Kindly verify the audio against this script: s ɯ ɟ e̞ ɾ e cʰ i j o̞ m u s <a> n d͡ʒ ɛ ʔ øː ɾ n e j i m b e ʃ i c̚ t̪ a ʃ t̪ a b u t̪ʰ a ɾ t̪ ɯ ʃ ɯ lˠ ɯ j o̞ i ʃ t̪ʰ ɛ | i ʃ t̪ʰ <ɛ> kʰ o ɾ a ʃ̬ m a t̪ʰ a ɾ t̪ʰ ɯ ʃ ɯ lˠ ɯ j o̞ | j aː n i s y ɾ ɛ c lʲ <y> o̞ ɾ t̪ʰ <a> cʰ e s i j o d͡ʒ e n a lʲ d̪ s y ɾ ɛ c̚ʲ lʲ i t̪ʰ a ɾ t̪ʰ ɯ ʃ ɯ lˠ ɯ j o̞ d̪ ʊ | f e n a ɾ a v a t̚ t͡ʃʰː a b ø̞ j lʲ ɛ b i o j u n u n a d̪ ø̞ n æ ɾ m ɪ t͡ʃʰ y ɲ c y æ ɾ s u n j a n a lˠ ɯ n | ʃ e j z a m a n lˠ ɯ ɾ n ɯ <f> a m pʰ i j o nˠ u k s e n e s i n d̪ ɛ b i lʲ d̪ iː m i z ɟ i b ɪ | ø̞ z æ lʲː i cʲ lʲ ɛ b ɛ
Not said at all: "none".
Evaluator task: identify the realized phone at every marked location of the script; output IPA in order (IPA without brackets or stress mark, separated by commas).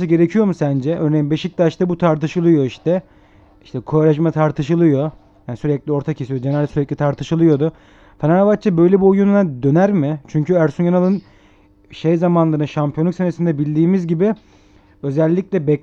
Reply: æ, ɛ, i, a, ʃ